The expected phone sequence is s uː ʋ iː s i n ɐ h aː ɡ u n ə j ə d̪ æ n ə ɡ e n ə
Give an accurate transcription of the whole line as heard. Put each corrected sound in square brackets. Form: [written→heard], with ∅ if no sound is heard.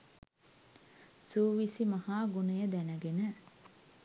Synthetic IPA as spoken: s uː ʋ [iː→i] s i [n→m] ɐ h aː ɡ u n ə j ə d̪ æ n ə ɡ e n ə